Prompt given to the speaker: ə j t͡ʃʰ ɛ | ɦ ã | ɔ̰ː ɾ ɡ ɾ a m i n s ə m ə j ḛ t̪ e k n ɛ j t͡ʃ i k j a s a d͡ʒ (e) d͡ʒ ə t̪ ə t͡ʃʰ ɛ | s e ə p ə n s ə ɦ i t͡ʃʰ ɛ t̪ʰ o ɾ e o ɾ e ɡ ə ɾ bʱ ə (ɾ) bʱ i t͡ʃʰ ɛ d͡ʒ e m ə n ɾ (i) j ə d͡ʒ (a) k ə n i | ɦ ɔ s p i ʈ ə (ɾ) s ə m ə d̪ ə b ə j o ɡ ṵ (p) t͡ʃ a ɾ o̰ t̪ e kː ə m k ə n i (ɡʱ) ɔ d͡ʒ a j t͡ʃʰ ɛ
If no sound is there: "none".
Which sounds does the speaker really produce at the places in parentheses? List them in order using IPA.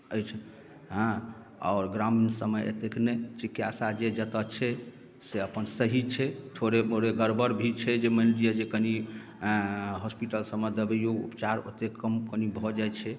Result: e, ɾ, i, e, l, p, bʱ

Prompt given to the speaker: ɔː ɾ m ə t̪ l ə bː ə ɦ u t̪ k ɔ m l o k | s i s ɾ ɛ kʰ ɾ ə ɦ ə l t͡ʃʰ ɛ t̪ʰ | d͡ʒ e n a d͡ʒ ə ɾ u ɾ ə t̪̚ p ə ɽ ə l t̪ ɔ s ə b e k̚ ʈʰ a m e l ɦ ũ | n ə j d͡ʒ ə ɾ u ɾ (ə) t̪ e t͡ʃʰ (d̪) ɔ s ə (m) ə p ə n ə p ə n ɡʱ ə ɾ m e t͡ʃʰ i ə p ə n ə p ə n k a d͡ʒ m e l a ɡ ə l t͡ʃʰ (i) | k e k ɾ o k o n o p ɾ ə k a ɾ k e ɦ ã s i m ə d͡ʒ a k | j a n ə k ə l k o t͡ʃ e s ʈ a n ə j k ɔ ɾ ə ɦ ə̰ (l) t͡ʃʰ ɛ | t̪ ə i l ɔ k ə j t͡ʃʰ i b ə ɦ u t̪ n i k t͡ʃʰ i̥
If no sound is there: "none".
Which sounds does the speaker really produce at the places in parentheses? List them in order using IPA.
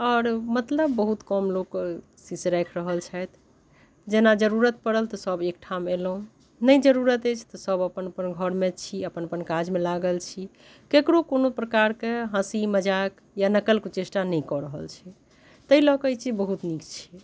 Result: ə, t̪, b, i, l

